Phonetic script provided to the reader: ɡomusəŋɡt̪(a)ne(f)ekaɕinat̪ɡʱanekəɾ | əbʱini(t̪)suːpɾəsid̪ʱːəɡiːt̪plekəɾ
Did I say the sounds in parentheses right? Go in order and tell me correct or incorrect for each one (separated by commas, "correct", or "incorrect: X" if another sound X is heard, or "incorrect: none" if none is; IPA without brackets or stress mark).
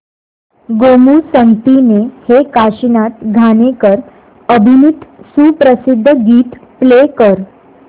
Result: incorrect: i, incorrect: h, correct